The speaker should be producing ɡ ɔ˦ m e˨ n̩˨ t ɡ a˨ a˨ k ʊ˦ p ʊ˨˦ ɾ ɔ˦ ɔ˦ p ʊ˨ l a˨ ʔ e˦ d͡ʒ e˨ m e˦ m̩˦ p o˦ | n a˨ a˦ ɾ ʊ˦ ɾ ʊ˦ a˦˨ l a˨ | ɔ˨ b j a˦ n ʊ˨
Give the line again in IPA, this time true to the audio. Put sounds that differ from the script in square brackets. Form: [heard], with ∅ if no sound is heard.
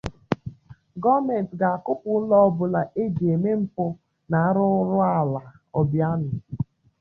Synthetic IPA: ɡ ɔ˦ m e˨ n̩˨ t ɡ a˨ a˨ k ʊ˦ p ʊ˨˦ [l] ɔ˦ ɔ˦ [b] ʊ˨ l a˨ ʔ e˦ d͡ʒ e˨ m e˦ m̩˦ p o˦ | n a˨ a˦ ɾ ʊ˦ ɾ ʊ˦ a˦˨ l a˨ | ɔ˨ b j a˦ n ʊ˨